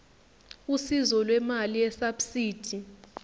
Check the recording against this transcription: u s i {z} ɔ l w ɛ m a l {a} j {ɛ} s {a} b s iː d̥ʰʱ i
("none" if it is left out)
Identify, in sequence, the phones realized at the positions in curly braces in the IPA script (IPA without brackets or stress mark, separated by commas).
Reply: z, i, ɛ, a